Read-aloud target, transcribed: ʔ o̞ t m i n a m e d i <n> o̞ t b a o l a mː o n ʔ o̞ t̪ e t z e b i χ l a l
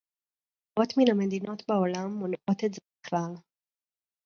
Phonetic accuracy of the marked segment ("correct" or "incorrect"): correct